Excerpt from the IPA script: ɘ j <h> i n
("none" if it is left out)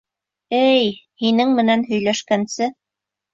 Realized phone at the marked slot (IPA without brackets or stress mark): h